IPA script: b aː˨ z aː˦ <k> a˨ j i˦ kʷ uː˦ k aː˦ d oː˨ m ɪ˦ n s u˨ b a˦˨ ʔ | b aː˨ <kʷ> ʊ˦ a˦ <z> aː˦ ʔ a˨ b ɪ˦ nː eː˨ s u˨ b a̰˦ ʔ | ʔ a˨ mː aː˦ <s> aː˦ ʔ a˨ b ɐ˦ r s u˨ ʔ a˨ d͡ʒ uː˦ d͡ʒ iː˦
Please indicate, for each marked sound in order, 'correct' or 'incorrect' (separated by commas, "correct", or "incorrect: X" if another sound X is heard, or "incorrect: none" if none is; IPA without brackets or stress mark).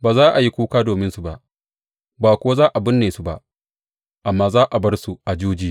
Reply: incorrect: ʔ, correct, correct, incorrect: z